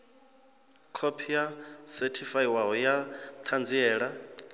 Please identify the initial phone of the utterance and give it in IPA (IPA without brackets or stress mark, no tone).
kʰ